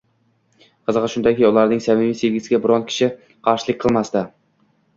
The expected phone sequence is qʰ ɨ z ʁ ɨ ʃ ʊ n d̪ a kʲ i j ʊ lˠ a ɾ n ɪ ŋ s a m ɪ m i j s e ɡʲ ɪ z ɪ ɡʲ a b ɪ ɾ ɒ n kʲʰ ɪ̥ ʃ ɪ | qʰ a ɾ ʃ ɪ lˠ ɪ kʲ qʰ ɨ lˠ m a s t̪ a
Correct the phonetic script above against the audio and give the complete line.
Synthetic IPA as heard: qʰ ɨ z ʁ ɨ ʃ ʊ n d̪ a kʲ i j ʊ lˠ a ɾ n ɪ ŋ s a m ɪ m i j s e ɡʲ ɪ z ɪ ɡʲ a b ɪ ɾ ɒ n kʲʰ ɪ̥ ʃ ɪ | qʰ ɑ ɾ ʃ ɪ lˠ ɪ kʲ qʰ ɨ lˠ m a s t̪ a